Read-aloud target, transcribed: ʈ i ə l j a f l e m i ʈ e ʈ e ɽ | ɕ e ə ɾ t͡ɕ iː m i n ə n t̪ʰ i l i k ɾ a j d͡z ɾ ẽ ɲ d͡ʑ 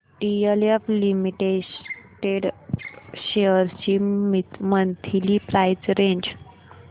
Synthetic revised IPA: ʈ i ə l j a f l i m i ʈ e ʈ e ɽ | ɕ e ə ɾ t͡ɕ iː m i m ə n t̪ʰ i l i p ɾ a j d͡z ɾ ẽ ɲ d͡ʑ